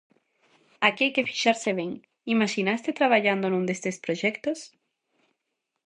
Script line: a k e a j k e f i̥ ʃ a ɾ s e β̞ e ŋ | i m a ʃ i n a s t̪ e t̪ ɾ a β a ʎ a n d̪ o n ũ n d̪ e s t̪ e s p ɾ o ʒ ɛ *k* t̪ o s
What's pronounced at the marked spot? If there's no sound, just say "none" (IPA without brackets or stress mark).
k